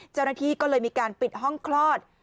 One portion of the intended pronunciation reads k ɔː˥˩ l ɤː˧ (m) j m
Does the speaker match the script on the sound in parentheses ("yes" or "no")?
no